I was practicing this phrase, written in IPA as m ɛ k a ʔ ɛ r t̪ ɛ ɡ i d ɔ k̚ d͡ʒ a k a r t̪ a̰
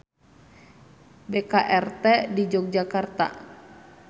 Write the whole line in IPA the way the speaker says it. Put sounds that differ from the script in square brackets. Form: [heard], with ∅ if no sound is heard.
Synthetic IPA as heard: [b] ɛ k a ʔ ɛ r t̪ ɛ [d] i [d͡ʒ] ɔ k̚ d͡ʒ a k a r t̪ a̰